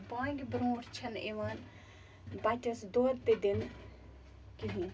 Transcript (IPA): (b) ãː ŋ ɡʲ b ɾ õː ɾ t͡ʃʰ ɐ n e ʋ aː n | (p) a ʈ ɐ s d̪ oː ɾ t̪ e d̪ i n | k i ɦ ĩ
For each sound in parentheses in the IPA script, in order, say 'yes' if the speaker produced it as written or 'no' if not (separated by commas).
yes, no